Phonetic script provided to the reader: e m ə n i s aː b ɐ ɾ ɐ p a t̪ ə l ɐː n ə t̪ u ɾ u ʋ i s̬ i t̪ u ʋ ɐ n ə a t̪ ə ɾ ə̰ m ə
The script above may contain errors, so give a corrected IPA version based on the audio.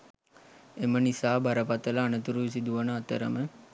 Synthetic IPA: e m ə n i s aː b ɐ ɾ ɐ p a t̪ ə l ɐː n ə t̪ u ɾ u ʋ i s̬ i d̪ u ʋ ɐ n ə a t̪ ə ɾ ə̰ m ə